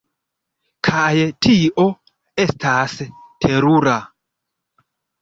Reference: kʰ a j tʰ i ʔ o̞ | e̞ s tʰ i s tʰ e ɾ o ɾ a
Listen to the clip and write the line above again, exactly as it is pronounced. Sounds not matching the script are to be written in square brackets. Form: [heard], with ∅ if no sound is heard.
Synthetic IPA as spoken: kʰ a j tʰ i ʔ o̞ | e̞ s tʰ [a] s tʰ e ɾ [u] ɾ a